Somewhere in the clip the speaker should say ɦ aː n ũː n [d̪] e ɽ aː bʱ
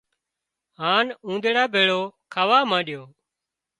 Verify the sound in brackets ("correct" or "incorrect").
correct